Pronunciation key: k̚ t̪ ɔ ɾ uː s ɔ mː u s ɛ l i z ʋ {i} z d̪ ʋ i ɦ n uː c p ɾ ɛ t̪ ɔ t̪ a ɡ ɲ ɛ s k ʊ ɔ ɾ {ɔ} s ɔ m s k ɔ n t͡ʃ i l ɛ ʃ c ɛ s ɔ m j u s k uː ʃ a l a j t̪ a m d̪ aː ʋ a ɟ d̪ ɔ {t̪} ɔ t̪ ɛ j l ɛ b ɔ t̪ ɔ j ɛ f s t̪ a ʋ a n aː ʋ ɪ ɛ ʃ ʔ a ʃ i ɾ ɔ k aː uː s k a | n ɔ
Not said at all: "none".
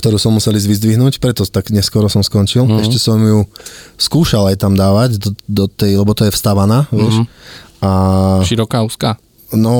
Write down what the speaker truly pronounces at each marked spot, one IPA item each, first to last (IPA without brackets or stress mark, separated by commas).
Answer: i, ɔ, d̪